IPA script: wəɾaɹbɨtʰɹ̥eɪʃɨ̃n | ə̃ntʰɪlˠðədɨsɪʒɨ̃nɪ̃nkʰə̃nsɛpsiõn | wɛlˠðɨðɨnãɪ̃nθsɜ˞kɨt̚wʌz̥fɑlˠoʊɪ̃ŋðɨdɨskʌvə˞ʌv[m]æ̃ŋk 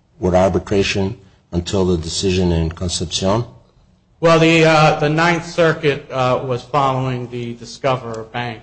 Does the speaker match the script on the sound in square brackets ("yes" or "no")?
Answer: no